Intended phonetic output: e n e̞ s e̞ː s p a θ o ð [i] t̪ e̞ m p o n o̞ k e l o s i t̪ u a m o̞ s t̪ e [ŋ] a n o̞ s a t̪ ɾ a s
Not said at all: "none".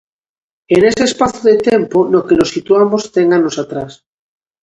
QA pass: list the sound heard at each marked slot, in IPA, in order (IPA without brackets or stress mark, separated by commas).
e, ŋ